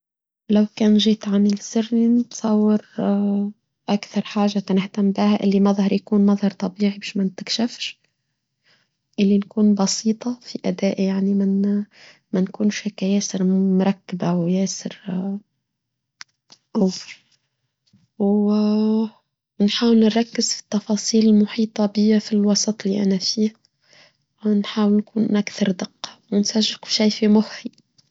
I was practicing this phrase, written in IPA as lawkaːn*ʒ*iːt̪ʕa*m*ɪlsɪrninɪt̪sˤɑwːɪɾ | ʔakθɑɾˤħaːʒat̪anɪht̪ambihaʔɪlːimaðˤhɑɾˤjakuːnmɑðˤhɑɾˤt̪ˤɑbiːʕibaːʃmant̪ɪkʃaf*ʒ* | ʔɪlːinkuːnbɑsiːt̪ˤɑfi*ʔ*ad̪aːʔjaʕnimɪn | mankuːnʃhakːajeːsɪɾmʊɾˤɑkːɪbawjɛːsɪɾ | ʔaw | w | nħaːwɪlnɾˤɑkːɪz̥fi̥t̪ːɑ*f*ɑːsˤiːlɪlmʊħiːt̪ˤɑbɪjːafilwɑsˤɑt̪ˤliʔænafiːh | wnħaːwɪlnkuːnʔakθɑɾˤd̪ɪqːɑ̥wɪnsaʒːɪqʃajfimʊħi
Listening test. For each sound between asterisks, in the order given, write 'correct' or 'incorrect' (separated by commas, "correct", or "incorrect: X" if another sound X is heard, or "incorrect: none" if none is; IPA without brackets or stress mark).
correct, incorrect: n, incorrect: ʃ, correct, correct